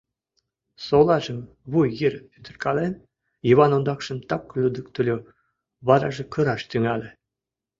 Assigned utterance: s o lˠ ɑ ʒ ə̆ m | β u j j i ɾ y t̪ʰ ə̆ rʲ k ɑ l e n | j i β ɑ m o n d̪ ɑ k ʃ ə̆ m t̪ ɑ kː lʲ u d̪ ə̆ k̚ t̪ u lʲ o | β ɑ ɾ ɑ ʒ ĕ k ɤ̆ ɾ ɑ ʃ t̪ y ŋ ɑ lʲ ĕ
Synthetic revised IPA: s o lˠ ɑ ʒ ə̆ m | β u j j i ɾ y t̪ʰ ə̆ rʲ k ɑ l e n | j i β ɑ n o n d̪ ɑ k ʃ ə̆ m t̪ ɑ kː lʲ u d̪ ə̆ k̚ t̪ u lʲ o | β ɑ ɾ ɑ ʒ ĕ k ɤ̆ ɾ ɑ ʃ t̪ y ŋ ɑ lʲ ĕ